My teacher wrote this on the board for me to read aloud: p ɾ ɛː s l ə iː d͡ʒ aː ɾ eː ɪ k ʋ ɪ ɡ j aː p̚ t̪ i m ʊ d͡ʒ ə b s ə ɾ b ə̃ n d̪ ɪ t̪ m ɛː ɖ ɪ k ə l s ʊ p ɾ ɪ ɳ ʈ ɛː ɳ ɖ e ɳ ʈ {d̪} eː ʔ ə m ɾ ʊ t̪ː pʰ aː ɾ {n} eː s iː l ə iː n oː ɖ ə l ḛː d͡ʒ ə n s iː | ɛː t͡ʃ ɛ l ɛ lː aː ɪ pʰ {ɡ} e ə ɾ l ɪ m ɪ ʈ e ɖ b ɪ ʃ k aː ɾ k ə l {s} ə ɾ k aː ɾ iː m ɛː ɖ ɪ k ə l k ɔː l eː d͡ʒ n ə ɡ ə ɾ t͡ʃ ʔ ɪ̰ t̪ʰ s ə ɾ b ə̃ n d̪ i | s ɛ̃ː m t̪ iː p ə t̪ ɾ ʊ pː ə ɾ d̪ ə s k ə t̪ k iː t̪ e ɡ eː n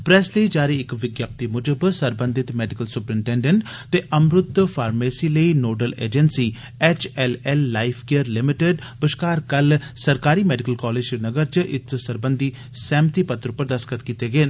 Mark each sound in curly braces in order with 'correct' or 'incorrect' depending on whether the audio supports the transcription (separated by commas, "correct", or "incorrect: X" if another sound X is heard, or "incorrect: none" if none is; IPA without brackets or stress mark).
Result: incorrect: t̪, incorrect: m, incorrect: k, correct